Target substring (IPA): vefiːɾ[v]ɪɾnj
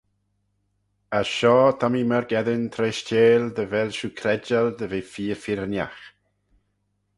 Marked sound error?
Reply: yes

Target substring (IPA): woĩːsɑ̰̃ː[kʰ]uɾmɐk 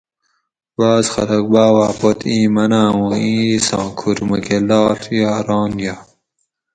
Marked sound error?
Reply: no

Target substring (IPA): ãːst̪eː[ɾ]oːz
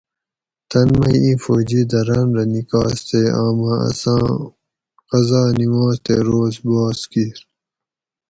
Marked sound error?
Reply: no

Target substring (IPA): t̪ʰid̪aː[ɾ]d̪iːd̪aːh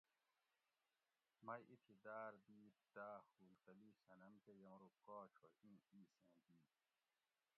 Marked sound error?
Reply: no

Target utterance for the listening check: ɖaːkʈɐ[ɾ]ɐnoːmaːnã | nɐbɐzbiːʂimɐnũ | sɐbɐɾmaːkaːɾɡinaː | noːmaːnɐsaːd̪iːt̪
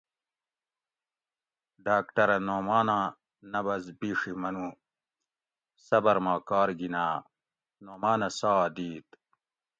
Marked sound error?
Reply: no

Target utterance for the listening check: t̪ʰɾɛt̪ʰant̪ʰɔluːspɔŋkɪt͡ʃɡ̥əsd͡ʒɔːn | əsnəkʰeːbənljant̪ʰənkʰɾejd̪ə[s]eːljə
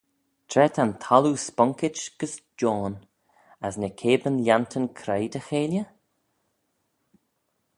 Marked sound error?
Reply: yes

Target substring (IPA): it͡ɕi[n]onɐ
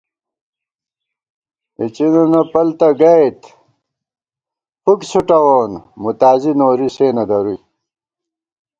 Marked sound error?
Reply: no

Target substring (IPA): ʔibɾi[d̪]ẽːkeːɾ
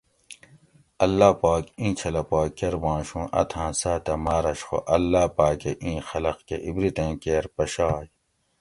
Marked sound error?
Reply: yes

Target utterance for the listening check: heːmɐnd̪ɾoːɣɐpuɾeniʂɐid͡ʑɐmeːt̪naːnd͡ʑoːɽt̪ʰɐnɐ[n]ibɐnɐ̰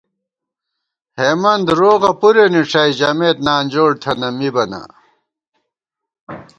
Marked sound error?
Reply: yes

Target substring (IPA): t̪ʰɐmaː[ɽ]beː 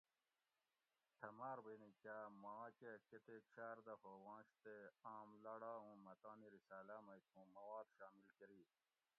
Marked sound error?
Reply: yes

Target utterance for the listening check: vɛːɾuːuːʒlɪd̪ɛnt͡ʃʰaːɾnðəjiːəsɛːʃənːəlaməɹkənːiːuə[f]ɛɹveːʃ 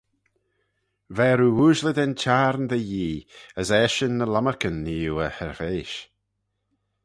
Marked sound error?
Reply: yes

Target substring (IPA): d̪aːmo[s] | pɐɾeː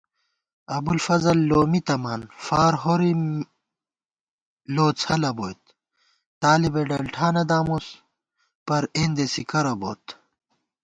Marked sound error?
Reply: no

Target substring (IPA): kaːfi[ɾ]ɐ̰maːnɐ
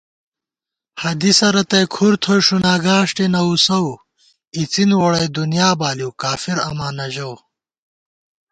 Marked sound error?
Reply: no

